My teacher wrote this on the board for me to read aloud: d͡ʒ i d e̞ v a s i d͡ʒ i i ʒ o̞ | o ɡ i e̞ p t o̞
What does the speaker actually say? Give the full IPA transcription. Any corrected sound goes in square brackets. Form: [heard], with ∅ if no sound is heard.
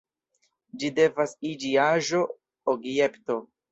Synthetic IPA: d͡ʒ i d e̞ v a s i d͡ʒ i [a] ʒ o̞ | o ɡ [j] e̞ p t o̞

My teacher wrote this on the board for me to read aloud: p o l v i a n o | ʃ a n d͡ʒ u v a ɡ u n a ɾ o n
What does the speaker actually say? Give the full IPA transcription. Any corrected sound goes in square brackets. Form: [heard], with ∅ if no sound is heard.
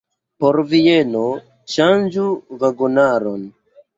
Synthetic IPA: p o [ɾ] v i [e] n o | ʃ a n d͡ʒ u v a ɡ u n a ɾ o n

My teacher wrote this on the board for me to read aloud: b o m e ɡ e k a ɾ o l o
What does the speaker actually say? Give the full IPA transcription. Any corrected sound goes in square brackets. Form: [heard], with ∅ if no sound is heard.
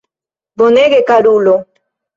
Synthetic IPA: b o [n] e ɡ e k a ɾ [u] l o

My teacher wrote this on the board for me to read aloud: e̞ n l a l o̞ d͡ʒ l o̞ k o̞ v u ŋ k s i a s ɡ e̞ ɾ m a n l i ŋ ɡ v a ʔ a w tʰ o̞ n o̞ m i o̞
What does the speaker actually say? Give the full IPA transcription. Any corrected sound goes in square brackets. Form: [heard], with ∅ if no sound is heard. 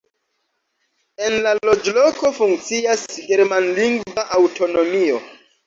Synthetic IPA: e̞ n l a l o̞ d͡ʒ l o̞ k o̞ [f] u ŋ k [t͡s] i a s ɡ e̞ ɾ m a n l i ŋ ɡ v a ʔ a w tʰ o̞ n o̞ m i o̞

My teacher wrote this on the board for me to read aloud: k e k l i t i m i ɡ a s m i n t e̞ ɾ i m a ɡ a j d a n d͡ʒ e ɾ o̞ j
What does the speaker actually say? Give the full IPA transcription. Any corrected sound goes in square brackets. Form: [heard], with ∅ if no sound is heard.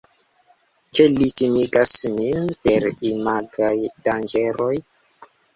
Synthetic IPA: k e [∅] l i t i m i ɡ a s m i n [p] e̞ ɾ i m a ɡ a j d a n d͡ʒ e ɾ o̞ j

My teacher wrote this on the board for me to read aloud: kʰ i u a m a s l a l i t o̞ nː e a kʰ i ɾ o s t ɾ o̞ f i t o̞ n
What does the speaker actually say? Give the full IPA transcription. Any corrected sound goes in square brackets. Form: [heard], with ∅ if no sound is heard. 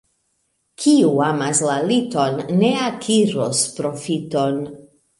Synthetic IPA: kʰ i u a m a s l a l i t o̞ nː e a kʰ i ɾ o s [p] ɾ o̞ f i t o̞ n

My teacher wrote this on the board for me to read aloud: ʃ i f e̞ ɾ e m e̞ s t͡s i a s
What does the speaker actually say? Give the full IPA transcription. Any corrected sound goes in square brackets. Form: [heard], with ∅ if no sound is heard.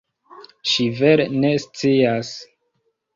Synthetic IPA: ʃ i [v] e̞ ɾ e [n] e̞ s t͡s i a s

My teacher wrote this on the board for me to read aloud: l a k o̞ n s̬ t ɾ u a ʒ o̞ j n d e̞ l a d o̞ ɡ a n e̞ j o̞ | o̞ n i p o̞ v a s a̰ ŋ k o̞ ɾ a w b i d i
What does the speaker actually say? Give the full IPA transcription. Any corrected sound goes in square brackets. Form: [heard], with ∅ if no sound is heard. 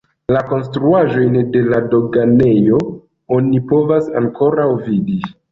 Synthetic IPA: l a k o̞ n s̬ t ɾ u a ʒ o̞ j n d e̞ l a d o̞ ɡ a n e̞ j o̞ | o̞ n i p o̞ v a s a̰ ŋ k o̞ ɾ a w [v] i d i

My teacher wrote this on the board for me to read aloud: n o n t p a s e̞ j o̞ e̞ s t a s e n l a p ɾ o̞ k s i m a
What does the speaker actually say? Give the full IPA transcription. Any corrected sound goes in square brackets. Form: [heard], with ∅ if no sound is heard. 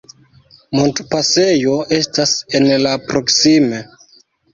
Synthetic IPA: [m] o n t p a s e̞ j o̞ e̞ s t a s e n l a p ɾ o̞ k s i m [e]

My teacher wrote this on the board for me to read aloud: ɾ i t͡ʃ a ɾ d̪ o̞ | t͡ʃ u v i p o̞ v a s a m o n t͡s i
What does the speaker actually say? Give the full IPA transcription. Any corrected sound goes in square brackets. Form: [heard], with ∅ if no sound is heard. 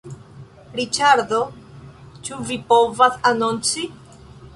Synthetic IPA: ɾ i t͡ʃ a ɾ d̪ o̞ | t͡ʃ u v i p o̞ v a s a [n] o n t͡s i

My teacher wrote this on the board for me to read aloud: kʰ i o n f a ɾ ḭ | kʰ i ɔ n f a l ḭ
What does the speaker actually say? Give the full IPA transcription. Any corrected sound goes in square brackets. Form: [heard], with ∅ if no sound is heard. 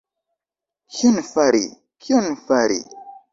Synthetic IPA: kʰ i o n f a ɾ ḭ | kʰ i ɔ n f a [ɾ] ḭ

